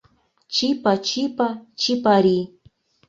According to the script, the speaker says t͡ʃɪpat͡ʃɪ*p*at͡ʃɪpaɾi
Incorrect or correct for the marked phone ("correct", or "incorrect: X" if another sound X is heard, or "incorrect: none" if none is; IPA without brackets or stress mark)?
correct